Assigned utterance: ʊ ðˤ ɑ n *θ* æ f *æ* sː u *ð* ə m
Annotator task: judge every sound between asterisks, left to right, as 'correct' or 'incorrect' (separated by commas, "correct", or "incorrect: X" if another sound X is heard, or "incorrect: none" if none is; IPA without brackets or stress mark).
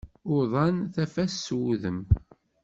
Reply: correct, correct, correct